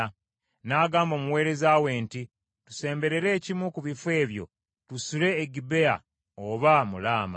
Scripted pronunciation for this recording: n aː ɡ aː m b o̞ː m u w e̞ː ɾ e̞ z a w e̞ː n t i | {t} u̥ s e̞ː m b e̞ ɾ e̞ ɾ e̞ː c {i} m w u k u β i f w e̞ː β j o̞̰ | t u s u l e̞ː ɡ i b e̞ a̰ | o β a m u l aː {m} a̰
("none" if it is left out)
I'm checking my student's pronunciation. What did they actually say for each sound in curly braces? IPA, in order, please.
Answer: t, i, m

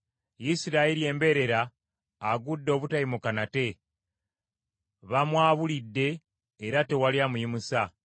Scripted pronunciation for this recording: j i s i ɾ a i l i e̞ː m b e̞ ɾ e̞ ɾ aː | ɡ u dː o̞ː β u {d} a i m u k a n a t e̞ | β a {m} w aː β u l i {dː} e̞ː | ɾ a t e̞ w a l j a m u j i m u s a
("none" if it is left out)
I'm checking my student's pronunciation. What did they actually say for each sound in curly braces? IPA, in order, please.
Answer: t, m, dː

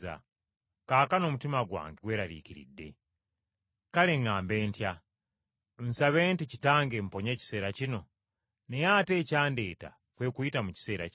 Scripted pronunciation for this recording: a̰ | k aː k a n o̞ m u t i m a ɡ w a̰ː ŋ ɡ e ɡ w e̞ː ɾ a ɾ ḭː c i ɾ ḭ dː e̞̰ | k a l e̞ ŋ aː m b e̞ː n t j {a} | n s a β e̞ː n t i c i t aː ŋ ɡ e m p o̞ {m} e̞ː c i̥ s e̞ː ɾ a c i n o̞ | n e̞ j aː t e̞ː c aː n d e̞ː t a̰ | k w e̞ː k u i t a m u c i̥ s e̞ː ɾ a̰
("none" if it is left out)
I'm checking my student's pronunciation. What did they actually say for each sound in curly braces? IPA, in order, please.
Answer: a, ɲ

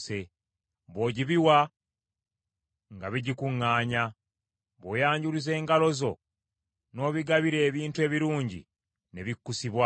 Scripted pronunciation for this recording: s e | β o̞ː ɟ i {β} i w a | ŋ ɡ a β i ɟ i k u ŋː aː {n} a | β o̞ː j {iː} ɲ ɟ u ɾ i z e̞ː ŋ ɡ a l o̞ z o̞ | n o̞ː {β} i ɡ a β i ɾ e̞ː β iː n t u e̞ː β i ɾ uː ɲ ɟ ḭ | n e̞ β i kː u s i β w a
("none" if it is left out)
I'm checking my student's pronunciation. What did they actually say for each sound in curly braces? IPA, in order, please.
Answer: β, ɲ, aː, β

